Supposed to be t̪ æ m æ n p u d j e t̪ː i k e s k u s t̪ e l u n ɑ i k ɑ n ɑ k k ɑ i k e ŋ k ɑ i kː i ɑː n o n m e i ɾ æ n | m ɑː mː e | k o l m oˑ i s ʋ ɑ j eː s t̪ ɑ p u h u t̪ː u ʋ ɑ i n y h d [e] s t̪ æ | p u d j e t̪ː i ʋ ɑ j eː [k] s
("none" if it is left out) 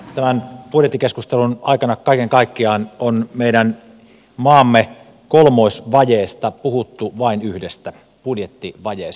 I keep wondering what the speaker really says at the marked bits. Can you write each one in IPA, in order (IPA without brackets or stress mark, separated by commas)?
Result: e, none